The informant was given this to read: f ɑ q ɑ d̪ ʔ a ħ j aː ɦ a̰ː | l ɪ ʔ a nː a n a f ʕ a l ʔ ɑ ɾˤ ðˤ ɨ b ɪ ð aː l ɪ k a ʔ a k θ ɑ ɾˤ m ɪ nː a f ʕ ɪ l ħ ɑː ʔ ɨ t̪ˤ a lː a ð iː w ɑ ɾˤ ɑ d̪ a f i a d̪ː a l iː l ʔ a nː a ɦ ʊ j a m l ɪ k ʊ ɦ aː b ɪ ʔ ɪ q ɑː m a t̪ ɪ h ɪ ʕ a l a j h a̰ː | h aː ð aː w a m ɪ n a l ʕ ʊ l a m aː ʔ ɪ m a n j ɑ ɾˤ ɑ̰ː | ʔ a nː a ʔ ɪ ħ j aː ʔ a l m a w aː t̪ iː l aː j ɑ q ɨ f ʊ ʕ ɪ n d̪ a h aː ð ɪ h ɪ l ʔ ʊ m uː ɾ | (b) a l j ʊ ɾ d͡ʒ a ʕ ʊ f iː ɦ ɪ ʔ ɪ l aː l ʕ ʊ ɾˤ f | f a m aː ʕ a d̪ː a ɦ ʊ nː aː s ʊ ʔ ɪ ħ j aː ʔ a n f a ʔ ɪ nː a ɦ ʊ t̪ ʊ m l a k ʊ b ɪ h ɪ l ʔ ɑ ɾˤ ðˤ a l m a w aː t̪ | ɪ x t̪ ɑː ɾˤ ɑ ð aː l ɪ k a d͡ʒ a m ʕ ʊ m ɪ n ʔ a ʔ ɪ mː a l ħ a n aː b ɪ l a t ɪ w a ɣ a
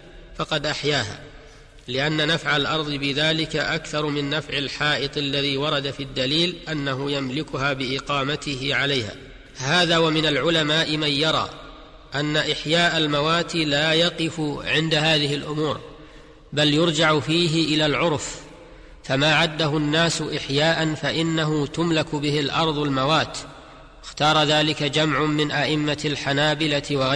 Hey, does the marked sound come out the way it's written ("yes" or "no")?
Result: yes